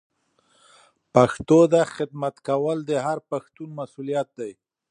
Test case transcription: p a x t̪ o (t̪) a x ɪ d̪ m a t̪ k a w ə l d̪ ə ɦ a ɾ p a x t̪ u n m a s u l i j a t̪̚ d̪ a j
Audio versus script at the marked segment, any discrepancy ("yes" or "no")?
yes